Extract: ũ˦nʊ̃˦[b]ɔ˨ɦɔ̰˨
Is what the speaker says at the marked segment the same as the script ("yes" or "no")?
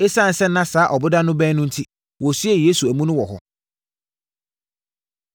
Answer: no